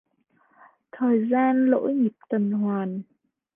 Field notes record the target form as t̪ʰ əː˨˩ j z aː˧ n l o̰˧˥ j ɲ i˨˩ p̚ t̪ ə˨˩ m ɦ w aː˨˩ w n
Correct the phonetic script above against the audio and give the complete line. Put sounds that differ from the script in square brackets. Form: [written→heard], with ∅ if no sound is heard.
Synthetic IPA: t̪ʰ əː˨˩ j z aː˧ n l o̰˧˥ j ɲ i˨˩ p̚ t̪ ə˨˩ [m→n] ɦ w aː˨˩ [w→∅] n